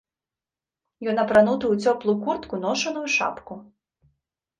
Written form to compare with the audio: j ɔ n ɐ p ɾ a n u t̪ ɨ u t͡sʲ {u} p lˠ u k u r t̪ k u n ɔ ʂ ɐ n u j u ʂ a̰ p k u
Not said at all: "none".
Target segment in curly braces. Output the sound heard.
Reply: ɔ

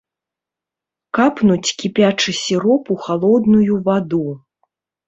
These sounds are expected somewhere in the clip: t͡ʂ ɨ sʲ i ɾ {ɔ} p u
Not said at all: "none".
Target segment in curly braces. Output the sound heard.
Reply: ɔ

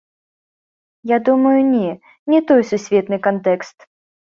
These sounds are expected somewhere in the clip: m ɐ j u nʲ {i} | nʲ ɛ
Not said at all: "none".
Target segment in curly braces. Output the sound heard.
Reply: ɛ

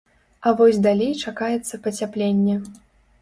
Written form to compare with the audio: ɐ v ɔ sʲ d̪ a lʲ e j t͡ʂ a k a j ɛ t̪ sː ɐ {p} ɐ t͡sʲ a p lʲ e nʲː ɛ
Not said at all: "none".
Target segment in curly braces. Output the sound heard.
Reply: p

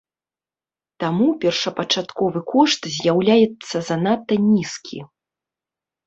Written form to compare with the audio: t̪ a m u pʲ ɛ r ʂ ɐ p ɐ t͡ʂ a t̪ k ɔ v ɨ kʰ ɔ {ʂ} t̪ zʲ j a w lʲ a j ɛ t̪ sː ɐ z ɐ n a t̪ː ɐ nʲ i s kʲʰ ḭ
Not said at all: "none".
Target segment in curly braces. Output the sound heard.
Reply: ʂ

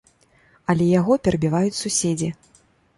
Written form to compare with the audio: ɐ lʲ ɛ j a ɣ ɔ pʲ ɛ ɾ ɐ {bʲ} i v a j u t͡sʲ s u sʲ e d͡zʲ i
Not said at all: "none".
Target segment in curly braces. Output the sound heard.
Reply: bʲ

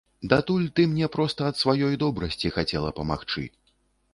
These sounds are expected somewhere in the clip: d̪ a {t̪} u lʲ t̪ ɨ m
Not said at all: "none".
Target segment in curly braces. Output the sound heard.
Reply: t̪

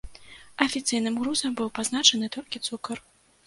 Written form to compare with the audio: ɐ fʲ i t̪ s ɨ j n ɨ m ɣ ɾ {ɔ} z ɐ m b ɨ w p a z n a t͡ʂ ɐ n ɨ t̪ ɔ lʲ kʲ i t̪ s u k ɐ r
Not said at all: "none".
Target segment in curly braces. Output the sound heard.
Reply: u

